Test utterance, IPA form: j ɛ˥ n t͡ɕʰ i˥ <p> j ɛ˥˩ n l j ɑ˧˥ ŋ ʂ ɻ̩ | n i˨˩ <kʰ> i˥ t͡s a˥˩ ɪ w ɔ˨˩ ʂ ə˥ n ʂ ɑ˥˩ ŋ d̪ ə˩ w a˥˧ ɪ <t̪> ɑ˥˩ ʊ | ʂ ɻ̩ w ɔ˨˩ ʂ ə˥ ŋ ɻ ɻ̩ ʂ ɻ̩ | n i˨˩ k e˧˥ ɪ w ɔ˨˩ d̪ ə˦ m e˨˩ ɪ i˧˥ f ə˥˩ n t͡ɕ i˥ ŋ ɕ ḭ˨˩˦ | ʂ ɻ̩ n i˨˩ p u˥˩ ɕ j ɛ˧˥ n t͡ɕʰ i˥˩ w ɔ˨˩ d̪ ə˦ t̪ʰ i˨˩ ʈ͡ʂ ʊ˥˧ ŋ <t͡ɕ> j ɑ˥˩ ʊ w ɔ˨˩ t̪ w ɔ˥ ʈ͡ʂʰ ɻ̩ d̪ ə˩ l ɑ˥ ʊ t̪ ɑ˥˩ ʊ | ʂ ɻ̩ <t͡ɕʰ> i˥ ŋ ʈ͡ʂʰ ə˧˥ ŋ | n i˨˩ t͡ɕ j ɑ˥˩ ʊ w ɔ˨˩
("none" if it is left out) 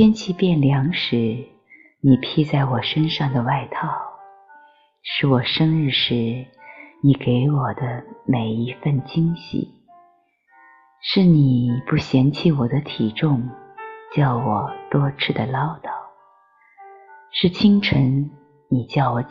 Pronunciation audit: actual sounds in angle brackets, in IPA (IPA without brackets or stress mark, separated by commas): p, pʰ, t̪ʰ, t͡ɕ, t͡ɕʰ